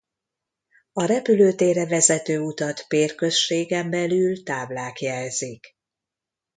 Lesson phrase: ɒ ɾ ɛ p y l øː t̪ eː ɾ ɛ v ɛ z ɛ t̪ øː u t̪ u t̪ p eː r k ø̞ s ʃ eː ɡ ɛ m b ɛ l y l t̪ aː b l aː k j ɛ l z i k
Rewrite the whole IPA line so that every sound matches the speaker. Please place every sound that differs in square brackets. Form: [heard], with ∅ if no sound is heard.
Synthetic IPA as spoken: ɒ ɾ ɛ p y l øː t̪ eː ɾ ɛ v ɛ z ɛ t̪ øː u t̪ [ɒ] t̪ p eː r k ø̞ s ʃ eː ɡ ɛ m b ɛ l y l t̪ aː b l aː k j ɛ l z i k